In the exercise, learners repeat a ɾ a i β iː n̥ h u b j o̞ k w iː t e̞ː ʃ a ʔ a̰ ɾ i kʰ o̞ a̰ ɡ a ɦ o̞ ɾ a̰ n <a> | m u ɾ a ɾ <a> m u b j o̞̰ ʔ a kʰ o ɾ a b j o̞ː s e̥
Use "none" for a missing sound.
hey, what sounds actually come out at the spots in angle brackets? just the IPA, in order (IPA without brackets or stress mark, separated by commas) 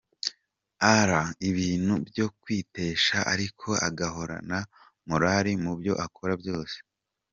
a, i